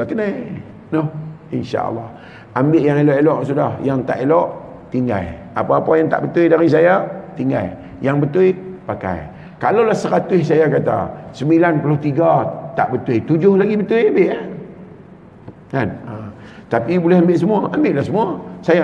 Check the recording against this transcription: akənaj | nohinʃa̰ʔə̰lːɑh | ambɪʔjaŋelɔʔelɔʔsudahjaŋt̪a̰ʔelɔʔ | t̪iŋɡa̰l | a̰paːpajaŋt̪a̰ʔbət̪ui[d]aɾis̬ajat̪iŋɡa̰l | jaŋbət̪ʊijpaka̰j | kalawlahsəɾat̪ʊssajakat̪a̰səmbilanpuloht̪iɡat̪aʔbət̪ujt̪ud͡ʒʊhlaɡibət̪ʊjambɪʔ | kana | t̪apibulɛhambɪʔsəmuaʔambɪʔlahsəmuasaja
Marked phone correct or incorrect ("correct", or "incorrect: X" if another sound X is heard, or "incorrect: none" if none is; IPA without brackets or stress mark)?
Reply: correct